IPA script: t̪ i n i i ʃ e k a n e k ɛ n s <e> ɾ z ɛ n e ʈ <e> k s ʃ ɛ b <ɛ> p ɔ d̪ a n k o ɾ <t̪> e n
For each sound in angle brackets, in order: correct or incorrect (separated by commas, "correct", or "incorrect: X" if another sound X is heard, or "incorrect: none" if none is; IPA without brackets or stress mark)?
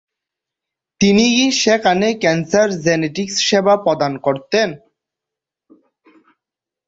incorrect: a, incorrect: i, incorrect: a, correct